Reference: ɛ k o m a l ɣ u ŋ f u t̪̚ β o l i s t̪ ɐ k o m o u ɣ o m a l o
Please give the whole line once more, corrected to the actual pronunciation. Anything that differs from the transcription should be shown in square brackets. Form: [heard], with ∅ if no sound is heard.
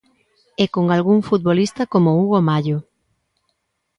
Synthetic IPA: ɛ k o [ŋ] a l ɣ u ŋ f u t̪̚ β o l i s t̪ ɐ k o m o u ɣ o m a [ʎ] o